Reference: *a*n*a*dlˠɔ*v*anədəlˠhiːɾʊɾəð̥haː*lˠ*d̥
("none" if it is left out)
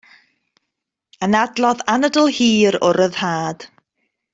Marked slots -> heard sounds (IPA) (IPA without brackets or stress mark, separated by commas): ə, a, ð, none